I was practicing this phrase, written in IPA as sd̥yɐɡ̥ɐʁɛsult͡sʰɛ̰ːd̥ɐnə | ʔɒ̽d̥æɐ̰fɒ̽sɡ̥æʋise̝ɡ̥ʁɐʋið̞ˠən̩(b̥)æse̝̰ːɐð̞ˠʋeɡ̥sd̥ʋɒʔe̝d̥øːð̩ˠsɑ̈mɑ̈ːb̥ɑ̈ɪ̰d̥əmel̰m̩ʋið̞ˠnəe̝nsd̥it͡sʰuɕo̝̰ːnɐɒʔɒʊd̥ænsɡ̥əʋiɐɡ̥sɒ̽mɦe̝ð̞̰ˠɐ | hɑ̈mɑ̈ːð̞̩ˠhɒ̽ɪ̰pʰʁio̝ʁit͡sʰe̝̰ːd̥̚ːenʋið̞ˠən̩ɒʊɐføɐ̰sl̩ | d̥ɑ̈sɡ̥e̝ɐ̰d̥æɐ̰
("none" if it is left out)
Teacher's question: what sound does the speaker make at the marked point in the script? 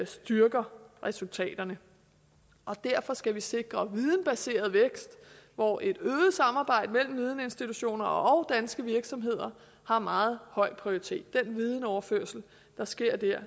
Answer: b̥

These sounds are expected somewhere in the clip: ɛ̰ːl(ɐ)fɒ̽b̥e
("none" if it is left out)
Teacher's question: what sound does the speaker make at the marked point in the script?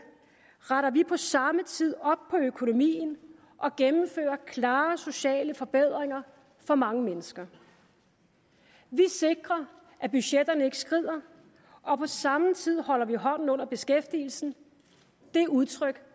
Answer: ə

